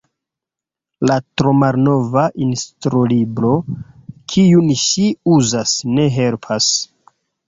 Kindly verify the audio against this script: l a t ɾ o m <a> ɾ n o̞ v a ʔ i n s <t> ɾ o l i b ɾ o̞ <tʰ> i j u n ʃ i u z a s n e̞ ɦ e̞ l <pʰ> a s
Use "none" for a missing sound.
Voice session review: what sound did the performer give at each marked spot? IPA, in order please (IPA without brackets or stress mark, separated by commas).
a, t, kʰ, pʰ